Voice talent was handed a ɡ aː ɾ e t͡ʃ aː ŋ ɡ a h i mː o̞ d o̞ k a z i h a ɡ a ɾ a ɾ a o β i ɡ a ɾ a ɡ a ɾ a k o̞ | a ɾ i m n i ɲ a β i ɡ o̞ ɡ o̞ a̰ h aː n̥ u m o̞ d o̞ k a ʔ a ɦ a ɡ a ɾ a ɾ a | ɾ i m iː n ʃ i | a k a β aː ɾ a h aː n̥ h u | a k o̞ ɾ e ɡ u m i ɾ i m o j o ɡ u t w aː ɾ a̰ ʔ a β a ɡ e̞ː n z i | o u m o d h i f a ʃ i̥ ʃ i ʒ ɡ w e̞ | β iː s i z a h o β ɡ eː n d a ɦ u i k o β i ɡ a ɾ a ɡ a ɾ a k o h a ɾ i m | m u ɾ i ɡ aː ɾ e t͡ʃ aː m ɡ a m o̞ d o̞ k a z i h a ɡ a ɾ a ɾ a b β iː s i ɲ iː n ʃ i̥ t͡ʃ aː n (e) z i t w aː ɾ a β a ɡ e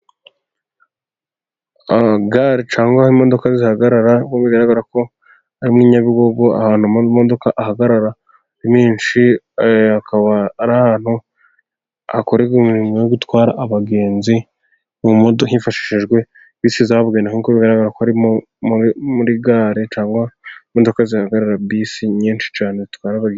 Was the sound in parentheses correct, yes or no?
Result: yes